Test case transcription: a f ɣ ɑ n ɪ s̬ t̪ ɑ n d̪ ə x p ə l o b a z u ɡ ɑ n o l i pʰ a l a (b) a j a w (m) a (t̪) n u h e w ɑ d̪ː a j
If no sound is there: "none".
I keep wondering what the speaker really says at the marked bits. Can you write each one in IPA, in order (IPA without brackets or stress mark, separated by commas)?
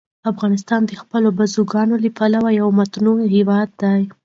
w, m, t̪